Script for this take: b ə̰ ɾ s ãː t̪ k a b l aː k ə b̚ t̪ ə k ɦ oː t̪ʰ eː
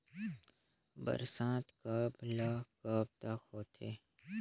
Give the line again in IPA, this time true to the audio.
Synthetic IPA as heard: b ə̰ ɾ s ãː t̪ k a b l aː k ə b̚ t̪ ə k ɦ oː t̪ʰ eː